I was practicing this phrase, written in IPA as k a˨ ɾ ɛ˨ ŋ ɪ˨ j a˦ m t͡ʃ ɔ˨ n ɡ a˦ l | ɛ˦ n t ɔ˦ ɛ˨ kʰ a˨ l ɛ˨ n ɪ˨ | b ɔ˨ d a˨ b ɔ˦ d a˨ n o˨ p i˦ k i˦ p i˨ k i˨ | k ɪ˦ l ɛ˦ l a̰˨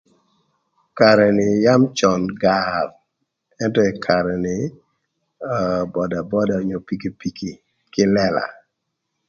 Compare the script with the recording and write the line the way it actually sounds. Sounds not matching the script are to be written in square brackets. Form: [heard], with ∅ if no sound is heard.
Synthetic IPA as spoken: k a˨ ɾ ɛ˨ [n] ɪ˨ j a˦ m t͡ʃ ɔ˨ n ɡ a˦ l | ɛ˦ n t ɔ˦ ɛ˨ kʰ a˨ [ɾ] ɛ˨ n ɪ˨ | b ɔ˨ d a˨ b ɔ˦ d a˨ [ɲ] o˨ p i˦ k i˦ p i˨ k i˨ | k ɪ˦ l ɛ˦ l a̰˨